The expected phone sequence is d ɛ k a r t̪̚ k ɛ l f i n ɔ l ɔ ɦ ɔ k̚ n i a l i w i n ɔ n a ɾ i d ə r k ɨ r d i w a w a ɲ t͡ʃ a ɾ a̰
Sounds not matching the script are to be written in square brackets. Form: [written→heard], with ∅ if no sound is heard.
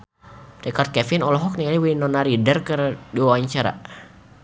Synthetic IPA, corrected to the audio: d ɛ k a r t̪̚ k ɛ [l→∅] f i n ɔ l ɔ ɦ ɔ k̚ n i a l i w i n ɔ n a ɾ i d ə r k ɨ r d i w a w a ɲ t͡ʃ a ɾ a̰